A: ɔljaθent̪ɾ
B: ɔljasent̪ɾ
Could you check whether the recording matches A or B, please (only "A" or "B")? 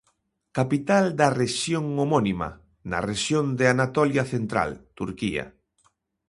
A